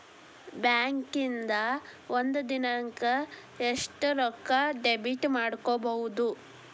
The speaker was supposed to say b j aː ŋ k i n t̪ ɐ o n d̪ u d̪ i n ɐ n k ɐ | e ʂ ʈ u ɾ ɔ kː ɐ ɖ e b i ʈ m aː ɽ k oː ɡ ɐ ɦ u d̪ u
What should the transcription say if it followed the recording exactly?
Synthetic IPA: b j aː ŋ k i n d̪ ɐ o n d̪ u d̪ i n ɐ ŋ k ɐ | e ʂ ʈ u ɾ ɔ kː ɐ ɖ e b i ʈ m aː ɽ k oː b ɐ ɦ u d̪ u

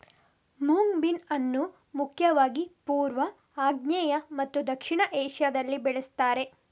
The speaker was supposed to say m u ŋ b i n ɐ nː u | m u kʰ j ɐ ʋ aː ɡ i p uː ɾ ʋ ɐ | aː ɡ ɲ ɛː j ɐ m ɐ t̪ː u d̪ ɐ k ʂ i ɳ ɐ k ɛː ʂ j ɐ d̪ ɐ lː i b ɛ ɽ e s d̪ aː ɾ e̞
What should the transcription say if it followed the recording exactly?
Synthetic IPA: m u ŋ b i n ɐ nː u | m u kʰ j ɐ ʋ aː ɡ i p uː ɾ ʋ ɐ | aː ɡ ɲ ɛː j ɐ m ɐ t̪ː u d̪ ɐ k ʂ i ɳ ɐ ʔ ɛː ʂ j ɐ d̪ ɐ lː i b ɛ ɭ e s t̪ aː ɾ e̞

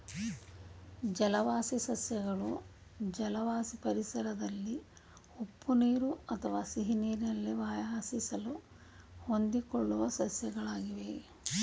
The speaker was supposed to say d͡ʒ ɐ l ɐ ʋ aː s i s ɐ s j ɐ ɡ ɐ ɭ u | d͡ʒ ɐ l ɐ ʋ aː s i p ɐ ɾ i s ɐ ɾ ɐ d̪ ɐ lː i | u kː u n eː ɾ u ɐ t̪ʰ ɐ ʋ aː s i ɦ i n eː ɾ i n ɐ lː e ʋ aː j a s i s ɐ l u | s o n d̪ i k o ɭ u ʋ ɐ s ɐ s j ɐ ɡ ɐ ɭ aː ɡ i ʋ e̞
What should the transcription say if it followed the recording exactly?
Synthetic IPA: d͡ʒ ɐ l ɐ ʋ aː s i s ɐ s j ɐ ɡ ɐ ɭ u | d͡ʒ ɐ l ɐ ʋ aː s i p ɐ ɾ i s ɐ ɾ ɐ d̪ ɐ lː i | u pː u n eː ɾ u ɐ t̪ʰ ɐ ʋ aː s i ɦ i n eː ɾ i n ɐ lː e ʋ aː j a s i s ɐ l u | h o n d̪ i k o ɭː u ʋ ɐ s ɐ s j ɐ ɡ ɐ ɭ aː ɡ i ʋ e̞

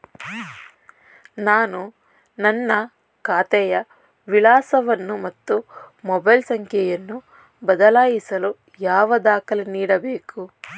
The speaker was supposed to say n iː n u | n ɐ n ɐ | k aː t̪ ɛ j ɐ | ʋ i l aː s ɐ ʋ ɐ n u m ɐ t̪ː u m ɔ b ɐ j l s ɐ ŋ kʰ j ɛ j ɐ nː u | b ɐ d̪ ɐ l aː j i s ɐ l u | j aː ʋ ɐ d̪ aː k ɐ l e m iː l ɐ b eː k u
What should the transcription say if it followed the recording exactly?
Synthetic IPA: n aː n u | n ɐ nː ɐ | k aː t̪ ɛ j ɐ | ʋ i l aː s ɐ ʋ ɐ nː u m ɐ t̪ː u m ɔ b ɐ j l s ɐ ŋ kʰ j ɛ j ɐ nː u | b ɐ d̪ ɐ l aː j i s ɐ l u | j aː ʋ ɐ d̪ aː k ɐ l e n iː ɽ ɐ b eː k u

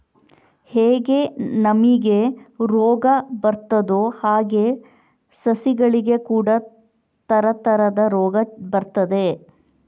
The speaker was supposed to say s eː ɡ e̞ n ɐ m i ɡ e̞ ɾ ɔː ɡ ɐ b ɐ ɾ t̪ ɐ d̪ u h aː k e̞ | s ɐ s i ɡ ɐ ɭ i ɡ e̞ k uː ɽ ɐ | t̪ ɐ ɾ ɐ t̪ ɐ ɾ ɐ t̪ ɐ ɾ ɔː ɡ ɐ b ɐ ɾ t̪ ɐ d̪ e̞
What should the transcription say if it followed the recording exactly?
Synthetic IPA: h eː ɡ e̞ n ɐ m i ɡ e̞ ɾ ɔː ɡ ɐ b ɐ ɾ t̪ ɐ d̪ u h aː ɡ e̞ | s ɐ s i ɡ ɐ ɭ i ɡ e̞ k uː ɽ ɐ | t̪ ɐ ɾ ɐ t̪ ɐ ɾ ɐ d̪ ɐ ɾ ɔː ɡ ɐ b ɐ ɾ t̪ ɐ d̪ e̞

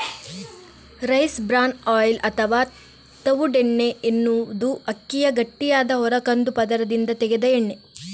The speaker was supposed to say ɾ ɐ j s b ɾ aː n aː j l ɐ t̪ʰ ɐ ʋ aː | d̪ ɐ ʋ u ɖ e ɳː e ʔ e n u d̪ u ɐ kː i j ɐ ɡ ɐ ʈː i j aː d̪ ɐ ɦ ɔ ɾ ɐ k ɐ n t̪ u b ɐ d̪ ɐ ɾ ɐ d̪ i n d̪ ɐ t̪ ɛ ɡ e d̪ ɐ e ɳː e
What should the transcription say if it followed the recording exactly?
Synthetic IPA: ɾ ɐ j s b ɾ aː n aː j l ɐ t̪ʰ ɐ ʋ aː | t̪ ɐ ʋ u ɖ e ɳː e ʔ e nː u d̪ u ɐ kː i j ɐ ɡ ɐ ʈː i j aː d̪ ɐ ɦ ɔ ɾ ɐ k ɐ n d̪ u p ɐ d̪ ɐ ɾ ɐ d̪ i n d̪ ɐ t̪ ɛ ɡ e d̪ ɐ e ɳː e

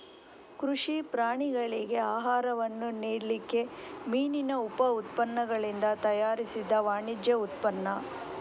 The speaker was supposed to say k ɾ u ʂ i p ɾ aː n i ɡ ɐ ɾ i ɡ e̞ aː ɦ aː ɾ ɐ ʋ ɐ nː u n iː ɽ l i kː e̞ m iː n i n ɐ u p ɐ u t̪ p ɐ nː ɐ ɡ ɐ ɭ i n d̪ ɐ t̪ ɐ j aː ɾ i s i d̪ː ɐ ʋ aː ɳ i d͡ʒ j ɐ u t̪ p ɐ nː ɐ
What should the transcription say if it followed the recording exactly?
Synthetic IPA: k ɾ u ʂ i p ɾ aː ɳ i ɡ ɐ ɭ i ɡ e̞ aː ɦ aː ɾ ɐ ʋ ɐ nː u n iː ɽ l i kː e̞ m iː n i n ɐ u p ɐ u t̪ p ɐ nː ɐ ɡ ɐ ɭ i n d̪ ɐ t̪ ɐ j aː ɾ i s i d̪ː ɐ ʋ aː ɳ i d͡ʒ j ɐ u t̪ p ɐ nː ɐ

